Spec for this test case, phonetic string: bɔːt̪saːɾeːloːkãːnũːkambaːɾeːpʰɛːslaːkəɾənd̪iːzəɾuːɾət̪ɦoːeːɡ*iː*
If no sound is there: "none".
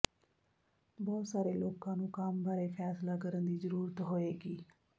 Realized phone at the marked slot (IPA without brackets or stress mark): iː